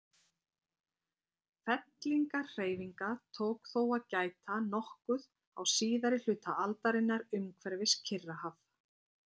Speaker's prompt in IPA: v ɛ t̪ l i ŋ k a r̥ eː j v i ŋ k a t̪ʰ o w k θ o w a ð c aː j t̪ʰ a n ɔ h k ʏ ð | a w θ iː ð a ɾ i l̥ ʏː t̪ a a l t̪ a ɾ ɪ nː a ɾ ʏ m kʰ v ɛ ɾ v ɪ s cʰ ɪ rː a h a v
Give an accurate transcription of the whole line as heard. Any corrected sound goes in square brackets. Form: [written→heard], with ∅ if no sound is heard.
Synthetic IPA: [v→f] ɛ t̪ l i ŋ k a r̥ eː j v i ŋ k a t̪ʰ o w k θ o w a ð c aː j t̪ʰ a n ɔ h k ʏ ð | a w [θ→s] iː ð a ɾ [i→ɪ] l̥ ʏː t̪ a a l t̪ a ɾ ɪ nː a ɾ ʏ m kʰ v ɛ ɾ v ɪ s cʰ ɪ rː a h a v